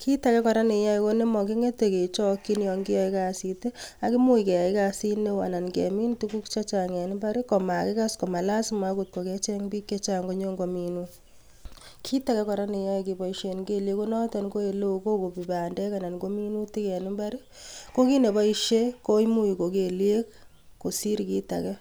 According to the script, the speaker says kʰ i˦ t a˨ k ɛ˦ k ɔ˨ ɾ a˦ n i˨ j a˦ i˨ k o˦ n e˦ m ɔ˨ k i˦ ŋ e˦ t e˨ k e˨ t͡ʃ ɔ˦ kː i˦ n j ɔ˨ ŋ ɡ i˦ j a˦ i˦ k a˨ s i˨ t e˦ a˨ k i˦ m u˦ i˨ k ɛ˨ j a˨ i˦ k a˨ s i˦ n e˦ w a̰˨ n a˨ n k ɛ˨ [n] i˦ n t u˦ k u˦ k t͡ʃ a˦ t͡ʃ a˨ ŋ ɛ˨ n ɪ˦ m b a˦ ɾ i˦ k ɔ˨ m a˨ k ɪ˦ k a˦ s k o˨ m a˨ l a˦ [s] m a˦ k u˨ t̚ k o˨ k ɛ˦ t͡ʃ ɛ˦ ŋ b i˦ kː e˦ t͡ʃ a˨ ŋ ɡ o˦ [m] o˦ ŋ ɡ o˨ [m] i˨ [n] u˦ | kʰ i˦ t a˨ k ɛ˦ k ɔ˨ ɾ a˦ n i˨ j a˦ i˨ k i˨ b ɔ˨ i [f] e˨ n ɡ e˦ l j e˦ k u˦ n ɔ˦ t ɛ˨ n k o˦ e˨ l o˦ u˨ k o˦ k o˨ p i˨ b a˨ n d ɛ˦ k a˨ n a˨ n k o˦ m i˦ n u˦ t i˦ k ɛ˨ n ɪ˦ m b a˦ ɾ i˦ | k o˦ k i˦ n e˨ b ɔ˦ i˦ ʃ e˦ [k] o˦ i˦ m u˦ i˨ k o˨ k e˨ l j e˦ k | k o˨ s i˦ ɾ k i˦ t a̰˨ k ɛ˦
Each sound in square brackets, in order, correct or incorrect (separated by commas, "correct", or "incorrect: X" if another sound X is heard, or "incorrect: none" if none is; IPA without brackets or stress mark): incorrect: m, correct, incorrect: ɲ, correct, correct, incorrect: ʃ, correct